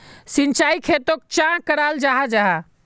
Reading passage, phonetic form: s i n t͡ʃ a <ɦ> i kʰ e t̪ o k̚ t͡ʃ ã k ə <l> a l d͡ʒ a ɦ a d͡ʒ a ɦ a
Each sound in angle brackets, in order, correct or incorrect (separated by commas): incorrect, incorrect